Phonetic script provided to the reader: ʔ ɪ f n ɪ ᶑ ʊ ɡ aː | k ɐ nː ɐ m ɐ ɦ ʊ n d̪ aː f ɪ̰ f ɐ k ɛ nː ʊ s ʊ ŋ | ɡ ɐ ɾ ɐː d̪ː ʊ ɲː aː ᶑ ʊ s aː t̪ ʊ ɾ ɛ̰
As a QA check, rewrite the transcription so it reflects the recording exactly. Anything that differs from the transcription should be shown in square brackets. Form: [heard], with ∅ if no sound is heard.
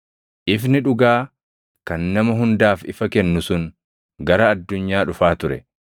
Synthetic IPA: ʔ ɪ f n ɪ ᶑ ʊ ɡ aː | k ɐ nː ɐ m ɐ ɦ ʊ n d̪ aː f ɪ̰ f ɐ k ɛ nː ʊ s ʊ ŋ | ɡ ɐ ɾ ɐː d̪ː ʊ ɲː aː ᶑ ʊ [f] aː t̪ ʊ ɾ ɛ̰